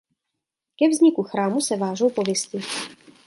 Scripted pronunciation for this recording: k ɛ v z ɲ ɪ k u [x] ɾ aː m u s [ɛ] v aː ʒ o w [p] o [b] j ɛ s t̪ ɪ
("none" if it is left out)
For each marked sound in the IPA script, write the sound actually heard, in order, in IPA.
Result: x, ɛ, p, v

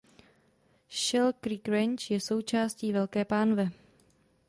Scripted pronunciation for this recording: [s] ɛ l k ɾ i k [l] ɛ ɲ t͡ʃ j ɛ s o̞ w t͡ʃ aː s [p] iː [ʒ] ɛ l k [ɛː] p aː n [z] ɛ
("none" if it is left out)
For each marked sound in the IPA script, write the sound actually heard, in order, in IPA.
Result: ʃ, ɾ, c, v, ɛː, v

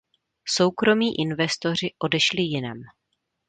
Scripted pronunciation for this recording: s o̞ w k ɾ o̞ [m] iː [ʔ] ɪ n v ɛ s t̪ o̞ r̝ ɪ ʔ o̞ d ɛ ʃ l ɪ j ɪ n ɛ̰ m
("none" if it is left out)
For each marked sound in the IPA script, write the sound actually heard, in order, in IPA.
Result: m, ʔ

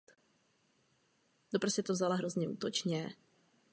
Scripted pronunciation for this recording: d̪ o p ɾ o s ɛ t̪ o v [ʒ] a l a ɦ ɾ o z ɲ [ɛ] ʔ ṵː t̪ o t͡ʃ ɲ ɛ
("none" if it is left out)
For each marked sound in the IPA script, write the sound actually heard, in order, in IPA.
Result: z, ɛ

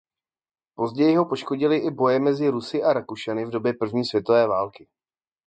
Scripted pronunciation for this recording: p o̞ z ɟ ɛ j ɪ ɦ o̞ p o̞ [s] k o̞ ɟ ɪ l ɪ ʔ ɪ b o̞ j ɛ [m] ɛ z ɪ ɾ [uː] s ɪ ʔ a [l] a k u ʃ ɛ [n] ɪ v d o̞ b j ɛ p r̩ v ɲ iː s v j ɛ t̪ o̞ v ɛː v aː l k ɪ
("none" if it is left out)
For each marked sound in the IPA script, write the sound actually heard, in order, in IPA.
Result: ʃ, m, u, ɾ, n

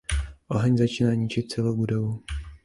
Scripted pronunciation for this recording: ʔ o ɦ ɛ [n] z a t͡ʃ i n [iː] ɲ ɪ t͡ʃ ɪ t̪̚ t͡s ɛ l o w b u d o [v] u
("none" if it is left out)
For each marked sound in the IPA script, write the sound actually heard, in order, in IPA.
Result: ɲ, aː, v

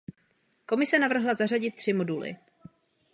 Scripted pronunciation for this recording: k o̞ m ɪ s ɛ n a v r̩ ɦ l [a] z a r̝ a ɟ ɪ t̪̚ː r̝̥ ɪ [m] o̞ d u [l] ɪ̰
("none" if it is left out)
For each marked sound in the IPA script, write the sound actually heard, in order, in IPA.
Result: a, m, l

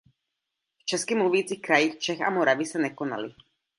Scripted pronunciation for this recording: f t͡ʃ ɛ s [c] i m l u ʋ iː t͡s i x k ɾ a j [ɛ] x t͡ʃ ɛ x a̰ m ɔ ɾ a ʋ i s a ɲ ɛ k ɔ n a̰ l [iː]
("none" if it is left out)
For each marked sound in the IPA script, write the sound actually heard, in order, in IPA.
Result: k, i, i

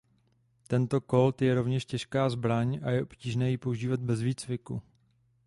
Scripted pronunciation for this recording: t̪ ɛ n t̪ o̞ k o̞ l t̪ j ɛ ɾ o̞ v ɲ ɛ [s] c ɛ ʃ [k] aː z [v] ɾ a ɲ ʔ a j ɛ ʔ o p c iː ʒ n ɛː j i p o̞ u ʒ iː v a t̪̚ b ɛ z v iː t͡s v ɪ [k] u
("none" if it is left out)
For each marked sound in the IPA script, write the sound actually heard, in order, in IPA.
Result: ʃ, k, b, k

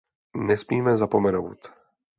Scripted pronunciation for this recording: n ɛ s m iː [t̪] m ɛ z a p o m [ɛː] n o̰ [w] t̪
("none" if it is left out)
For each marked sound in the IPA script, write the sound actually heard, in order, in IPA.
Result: none, ɛ, w

